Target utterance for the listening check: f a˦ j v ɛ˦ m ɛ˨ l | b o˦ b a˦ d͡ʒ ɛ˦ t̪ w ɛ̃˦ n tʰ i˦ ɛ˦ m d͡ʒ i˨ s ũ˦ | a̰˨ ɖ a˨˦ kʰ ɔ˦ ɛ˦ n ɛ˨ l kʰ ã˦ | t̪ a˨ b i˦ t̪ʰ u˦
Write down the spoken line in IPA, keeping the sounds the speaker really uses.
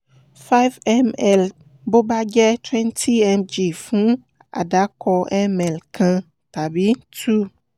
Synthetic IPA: f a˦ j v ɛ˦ m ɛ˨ l | b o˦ b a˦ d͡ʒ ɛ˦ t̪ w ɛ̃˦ n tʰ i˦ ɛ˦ m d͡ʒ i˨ f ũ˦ | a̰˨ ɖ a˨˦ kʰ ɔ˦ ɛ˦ m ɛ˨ l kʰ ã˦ | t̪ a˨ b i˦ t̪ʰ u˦